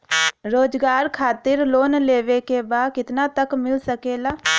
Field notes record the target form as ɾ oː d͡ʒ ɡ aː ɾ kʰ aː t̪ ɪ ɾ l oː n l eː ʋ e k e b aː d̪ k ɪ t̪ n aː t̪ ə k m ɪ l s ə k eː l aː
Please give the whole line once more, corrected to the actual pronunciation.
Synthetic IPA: ɾ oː d͡ʒ ɡ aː ɾ kʰ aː t̪ ɪ ɾ l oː n l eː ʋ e k e b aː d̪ k ɪ t̪ n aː t̪ ə k m ɪ l s ə k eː l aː